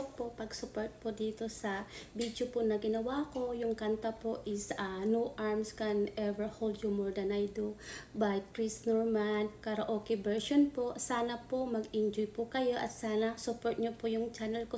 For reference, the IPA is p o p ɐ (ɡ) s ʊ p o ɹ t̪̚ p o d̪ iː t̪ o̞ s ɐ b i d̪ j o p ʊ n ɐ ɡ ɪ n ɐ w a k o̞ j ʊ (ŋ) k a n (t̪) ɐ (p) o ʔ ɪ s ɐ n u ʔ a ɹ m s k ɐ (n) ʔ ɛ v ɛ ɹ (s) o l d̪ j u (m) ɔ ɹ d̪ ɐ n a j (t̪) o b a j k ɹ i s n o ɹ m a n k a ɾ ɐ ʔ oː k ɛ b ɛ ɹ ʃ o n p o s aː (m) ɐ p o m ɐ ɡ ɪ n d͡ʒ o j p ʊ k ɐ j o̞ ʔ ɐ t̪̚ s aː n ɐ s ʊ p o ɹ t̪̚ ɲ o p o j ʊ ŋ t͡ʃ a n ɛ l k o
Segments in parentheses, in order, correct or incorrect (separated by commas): correct, correct, correct, correct, correct, incorrect, correct, incorrect, incorrect